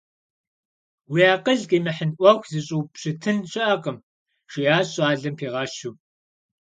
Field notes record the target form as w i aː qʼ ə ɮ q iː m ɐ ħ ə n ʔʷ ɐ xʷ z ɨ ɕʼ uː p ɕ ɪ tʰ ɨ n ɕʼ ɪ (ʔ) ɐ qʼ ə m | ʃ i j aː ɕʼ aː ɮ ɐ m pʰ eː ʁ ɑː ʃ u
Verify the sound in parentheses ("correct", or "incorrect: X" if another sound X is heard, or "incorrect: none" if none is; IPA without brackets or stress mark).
correct